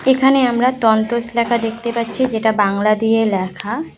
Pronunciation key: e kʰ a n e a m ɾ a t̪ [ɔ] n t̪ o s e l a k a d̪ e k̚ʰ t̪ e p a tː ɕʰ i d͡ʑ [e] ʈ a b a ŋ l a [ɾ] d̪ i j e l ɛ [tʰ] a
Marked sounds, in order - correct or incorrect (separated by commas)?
correct, correct, incorrect, incorrect